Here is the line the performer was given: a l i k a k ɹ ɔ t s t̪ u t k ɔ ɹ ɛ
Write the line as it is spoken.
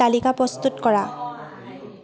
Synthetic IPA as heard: a l i k a p ɹ ɔ s t̪ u t k ɔ ɹ a